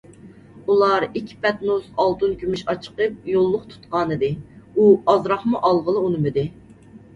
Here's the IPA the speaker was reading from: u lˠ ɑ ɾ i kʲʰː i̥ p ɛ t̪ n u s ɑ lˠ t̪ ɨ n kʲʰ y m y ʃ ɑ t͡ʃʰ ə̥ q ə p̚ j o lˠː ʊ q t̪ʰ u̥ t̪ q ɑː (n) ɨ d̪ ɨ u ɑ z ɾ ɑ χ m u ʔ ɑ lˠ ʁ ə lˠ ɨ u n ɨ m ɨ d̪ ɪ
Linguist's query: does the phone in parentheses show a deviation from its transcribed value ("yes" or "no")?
no